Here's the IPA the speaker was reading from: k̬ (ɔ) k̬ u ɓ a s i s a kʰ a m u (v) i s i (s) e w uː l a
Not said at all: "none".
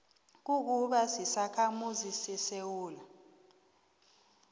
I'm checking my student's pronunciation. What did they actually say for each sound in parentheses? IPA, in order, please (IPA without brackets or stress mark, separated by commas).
u, z, s